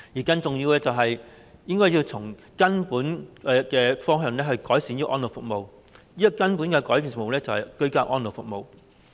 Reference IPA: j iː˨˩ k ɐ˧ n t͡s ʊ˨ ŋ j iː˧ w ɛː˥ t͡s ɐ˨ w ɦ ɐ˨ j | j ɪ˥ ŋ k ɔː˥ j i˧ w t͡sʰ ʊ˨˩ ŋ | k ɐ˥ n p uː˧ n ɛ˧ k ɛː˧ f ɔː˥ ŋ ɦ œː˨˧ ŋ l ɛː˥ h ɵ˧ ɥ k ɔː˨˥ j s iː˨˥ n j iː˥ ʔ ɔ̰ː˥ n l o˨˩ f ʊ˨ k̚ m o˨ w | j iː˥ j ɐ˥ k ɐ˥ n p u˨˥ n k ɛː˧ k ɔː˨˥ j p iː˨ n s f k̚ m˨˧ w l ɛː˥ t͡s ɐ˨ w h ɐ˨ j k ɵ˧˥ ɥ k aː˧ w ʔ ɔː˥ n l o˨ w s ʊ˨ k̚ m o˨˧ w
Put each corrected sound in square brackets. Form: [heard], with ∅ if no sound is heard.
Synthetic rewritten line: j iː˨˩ k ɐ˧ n t͡s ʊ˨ ŋ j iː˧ w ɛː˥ t͡s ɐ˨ w ɦ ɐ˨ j | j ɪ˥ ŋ k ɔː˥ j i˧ w t͡sʰ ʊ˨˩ ŋ | k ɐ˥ n p [uː˨˥] n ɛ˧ k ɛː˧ f ɔː˥ ŋ ɦ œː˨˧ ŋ l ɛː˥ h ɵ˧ ɥ k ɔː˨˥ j s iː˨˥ n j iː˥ ʔ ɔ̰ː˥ n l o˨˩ f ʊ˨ k̚ m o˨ w | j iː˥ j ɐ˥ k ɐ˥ n p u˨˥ n k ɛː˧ k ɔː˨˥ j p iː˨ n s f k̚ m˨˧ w l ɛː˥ t͡s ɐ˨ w h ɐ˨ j k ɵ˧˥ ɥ k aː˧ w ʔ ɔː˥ n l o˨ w [f] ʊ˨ k̚ m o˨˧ w